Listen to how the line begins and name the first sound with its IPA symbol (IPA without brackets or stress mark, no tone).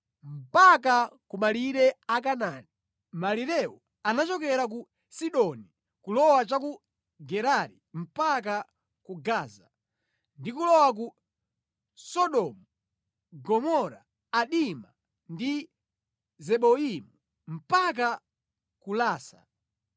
m̩